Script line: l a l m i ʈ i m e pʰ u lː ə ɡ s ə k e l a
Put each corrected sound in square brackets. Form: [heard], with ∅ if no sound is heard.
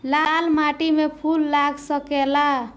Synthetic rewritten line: l a l m [a] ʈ i m e pʰ u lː [a] ɡ s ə k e l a